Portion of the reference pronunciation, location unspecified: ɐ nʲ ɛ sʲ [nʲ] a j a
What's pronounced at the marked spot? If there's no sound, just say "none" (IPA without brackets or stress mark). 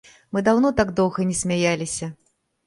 mʲ